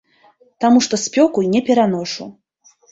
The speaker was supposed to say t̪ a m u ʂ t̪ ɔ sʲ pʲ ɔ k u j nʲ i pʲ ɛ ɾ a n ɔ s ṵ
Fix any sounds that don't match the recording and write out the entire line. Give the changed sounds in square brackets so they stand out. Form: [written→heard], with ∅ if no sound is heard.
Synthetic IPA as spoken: t̪ a m u ʂ t̪ ɔ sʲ pʲ ɔ k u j nʲ [i→ɛ] pʲ ɛ ɾ a n ɔ [s→ʂ] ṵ